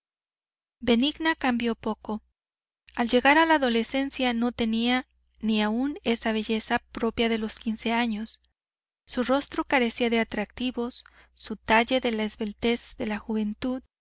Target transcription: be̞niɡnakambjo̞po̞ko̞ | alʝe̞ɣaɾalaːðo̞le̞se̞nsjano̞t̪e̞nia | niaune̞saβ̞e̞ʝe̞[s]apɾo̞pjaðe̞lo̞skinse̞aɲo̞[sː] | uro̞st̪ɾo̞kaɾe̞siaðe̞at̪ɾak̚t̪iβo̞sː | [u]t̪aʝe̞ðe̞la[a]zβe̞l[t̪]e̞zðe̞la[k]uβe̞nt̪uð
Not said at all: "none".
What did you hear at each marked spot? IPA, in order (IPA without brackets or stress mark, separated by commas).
s, sː, u, e, t̪, x